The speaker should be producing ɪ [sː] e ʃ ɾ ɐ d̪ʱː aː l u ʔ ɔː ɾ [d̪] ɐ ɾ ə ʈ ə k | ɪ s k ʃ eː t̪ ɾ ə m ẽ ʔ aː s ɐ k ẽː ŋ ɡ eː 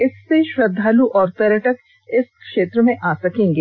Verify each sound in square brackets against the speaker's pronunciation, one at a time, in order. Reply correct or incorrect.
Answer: correct, incorrect: t̪

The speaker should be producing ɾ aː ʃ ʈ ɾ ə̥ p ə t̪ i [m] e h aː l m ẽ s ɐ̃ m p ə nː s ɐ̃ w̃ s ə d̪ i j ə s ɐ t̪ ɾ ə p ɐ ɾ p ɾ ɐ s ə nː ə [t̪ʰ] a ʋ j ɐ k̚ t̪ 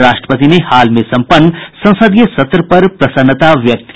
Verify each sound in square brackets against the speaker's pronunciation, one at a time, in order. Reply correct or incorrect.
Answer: incorrect: n, incorrect: t̪

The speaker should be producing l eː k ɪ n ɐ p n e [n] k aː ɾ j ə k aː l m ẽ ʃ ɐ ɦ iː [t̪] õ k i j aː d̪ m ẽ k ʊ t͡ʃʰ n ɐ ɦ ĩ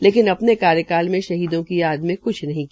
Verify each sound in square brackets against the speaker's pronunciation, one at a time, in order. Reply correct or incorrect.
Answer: incorrect: none, incorrect: d̪

